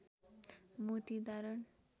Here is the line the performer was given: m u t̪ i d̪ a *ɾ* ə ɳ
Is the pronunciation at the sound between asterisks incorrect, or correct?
correct